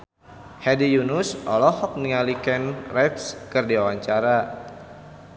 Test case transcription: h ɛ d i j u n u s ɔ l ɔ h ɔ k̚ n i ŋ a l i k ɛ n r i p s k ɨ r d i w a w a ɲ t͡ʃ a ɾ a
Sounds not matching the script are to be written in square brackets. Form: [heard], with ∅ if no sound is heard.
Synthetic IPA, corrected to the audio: h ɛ d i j u n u s ɔ l ɔ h ɔ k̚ n i ŋ a l i k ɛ n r [ɛ] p s k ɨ r d i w a w a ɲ t͡ʃ a ɾ a